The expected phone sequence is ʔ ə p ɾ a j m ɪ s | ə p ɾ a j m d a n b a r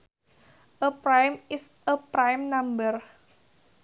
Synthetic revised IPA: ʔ ə p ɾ a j m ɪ s | ə p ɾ a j m n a m b ə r

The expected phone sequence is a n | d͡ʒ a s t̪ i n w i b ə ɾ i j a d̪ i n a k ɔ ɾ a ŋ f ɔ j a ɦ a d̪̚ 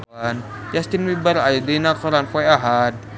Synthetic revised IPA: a n | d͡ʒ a s t̪ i n w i b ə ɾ a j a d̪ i n a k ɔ ɾ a n f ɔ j a ɦ a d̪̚

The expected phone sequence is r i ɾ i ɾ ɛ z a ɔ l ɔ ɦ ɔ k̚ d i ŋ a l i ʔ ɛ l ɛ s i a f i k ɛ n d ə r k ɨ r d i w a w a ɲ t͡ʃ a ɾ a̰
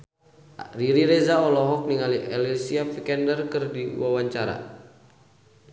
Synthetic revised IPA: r i ɾ i ɾ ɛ z a ɔ l ɔ ɦ ɔ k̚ n i ŋ a l i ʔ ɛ l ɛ s i a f i k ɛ n d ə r k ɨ r d i w a w a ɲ t͡ʃ a ɾ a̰

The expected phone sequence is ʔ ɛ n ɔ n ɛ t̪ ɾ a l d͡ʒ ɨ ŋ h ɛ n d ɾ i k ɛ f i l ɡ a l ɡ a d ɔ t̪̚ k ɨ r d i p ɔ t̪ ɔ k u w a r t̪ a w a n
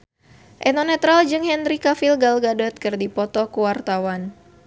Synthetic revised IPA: ʔ ɛ n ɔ n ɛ t̪ ɾ a l d͡ʒ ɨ ŋ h ɛ n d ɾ i k a f i l ɡ a l ɡ a d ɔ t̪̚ k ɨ r d i p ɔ t̪ ɔ k u w a r t̪ a w a n

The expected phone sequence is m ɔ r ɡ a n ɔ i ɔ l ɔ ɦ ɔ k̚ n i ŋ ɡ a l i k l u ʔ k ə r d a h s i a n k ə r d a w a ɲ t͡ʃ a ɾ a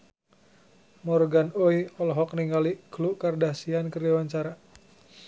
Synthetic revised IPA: m ɔ r ɡ a n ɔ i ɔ l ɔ ɦ ɔ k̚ n i ŋ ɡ a l i k l u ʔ k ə r d a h s i a n k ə r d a w a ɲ t͡ʃ a ɾ a

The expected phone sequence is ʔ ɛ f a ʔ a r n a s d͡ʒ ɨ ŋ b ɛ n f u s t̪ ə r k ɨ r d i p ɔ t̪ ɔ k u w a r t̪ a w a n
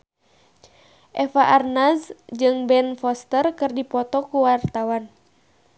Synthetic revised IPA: ʔ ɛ f a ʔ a r n a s d͡ʒ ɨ ŋ b ɛ n f ɔ s t̪ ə r k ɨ r d i p ɔ t̪ ɔ k u w a r t̪ a w a n

